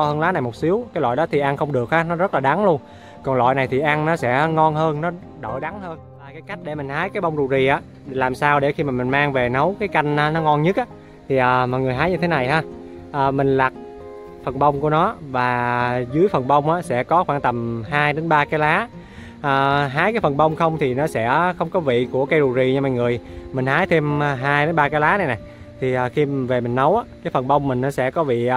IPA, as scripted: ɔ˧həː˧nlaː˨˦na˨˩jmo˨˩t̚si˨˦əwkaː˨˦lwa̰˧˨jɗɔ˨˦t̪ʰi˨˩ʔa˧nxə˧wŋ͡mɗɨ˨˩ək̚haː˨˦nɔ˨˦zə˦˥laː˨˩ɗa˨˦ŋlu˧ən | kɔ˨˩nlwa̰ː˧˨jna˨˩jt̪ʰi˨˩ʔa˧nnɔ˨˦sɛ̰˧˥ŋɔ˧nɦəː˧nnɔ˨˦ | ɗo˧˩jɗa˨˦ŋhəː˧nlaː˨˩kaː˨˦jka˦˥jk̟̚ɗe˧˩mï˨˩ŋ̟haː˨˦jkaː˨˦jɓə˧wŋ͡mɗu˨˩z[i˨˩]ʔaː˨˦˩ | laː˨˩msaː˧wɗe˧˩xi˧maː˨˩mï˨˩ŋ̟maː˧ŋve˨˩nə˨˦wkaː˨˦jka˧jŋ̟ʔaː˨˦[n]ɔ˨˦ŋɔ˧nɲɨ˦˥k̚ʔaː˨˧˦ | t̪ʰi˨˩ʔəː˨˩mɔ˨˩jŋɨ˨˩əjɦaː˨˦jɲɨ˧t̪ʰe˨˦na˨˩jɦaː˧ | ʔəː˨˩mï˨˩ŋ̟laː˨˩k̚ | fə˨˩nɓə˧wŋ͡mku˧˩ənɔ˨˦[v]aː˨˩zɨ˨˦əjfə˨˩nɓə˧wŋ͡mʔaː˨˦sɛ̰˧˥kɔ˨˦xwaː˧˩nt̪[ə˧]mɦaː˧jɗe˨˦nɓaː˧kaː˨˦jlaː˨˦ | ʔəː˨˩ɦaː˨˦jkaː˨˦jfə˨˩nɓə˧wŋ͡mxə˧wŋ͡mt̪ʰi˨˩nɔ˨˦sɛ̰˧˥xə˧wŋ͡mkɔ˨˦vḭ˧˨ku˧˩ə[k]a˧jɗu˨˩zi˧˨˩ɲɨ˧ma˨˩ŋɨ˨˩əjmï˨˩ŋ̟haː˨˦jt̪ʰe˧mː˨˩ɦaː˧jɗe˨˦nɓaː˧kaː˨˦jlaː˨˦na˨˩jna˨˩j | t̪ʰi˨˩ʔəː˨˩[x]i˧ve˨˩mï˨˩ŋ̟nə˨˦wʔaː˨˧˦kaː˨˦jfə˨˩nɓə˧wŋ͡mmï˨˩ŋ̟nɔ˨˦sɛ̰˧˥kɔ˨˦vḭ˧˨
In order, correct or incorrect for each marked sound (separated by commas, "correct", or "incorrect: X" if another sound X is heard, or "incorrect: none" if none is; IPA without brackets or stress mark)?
correct, correct, correct, incorrect: ə˨˩, correct, correct